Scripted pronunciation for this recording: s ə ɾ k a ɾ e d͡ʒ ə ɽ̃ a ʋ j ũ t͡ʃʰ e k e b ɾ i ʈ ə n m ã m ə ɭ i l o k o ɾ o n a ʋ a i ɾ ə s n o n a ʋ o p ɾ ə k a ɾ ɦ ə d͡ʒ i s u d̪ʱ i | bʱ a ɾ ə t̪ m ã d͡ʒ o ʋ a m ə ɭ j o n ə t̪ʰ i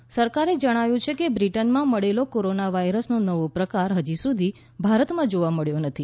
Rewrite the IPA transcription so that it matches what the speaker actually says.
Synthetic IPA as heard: s ə ɾ k a ɾ e d͡ʒ ə ɽ̃ a ʋ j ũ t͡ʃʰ e k e b ɾ i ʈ ə n m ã m ə ɭ e l o k o ɾ o n a ʋ a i ɾ ə s n o n ə ʋ o p ɾ ə k a ɾ ɦ ə d͡ʒ i s u d̪ʱ i | bʱ a ɾ ə t̪ m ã d͡ʒ o ʋ a m ə ɭ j o n ə t̪ʰ i